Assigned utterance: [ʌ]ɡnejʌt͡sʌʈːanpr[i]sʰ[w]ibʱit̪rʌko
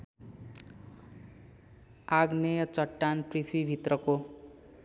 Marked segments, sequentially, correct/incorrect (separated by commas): incorrect, correct, correct